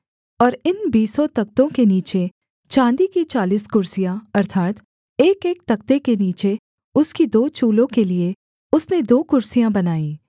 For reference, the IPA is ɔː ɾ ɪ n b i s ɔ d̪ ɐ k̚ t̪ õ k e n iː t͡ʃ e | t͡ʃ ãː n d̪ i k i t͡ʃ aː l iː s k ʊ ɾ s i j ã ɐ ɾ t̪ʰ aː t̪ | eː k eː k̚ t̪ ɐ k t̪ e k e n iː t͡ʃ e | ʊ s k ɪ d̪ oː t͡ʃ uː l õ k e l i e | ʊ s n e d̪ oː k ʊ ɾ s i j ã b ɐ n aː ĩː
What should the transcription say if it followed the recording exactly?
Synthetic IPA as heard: ɔː ɾ ɪ n b iː s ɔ t̪ ɐ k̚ t̪ õ k e n iː t͡ʃ e | t͡ʃ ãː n d̪ i k i t͡ʃ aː l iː s k ʊ ɾ s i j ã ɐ ɾ t̪ʰ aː t̪ | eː k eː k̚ t̪ ɐ k t̪ e k e n iː t͡ʃ e | ʊ s k i d̪ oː t͡ʃ uː l õ k e l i e | ʊ s n e d̪ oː k ʊ ɾ s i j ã b ɐ n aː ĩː